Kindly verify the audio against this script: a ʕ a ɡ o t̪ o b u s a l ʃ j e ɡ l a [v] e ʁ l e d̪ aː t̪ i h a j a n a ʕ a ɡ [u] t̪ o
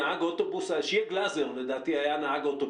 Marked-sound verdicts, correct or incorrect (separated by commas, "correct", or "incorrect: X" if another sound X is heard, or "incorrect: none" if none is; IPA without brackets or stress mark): incorrect: z, incorrect: o